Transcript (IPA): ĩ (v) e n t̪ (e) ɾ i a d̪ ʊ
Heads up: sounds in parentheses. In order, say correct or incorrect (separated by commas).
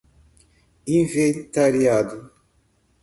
correct, incorrect